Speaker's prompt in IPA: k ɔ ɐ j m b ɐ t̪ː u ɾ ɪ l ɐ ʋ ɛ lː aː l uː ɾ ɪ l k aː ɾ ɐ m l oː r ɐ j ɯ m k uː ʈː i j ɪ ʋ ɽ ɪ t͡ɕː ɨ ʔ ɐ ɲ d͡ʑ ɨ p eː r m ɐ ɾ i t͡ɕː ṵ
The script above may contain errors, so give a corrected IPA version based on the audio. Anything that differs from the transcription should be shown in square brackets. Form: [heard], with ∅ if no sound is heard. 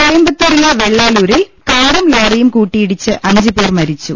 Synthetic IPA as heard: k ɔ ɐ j m b ɐ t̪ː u ɾ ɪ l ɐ ʋ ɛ [ɭː] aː l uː ɾ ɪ l k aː ɾ ɐ m l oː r ɐ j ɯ m k uː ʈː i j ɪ [∅] ɽ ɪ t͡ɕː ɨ ʔ ɐ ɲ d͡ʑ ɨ p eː r m ɐ ɾ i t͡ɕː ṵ